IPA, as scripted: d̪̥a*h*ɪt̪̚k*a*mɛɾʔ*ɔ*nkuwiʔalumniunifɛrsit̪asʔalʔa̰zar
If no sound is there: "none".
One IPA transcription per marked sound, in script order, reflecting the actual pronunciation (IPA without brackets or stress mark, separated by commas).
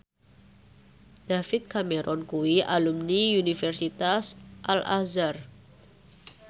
f, a, ɔ